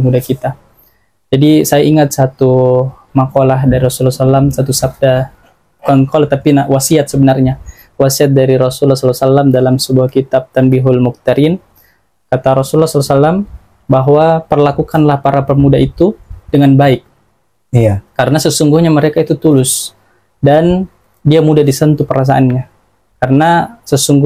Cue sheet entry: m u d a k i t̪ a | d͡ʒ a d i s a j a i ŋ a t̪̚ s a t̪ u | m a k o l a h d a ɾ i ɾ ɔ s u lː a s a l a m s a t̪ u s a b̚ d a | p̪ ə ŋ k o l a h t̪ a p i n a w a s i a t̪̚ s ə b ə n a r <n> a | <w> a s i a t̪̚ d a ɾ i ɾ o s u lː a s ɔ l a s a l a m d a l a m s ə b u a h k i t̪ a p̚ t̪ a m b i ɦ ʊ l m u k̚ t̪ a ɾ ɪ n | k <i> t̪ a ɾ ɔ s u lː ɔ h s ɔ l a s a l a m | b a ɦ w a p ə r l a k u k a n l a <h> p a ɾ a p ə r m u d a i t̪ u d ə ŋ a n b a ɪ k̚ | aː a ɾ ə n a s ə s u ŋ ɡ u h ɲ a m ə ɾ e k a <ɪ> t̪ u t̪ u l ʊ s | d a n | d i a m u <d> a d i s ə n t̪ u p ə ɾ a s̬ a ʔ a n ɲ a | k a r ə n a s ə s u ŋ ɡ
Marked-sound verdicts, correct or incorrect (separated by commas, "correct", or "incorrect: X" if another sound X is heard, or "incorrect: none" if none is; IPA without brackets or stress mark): incorrect: ɲ, correct, incorrect: a, correct, incorrect: i, correct